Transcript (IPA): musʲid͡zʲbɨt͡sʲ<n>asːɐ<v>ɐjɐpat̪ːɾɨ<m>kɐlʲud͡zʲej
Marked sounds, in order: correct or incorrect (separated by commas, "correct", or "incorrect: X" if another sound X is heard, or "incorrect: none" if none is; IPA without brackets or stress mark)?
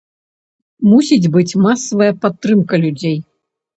incorrect: m, correct, correct